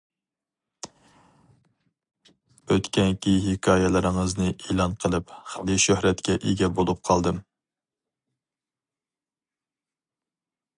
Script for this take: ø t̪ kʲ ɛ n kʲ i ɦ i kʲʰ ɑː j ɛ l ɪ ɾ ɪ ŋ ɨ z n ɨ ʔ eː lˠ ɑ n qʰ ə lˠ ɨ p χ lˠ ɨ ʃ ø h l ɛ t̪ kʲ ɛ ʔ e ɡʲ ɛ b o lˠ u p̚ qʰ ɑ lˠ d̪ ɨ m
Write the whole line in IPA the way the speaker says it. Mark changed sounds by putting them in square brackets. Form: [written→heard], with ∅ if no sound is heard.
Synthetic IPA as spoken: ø t̪ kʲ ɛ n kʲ i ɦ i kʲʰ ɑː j ɛ l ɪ ɾ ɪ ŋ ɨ z n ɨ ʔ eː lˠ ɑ n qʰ ə lˠ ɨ p χ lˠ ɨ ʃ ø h [l→ɾ] ɛ t̪ kʲ ɛ ʔ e ɡʲ ɛ b o lˠ u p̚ qʰ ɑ lˠ d̪ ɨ m